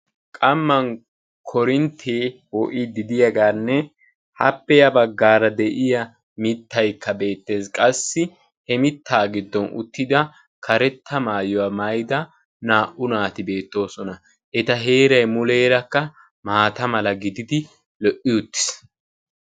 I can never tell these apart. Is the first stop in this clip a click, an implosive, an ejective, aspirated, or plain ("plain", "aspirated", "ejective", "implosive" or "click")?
ejective